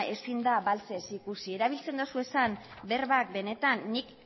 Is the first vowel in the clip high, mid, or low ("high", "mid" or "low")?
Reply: mid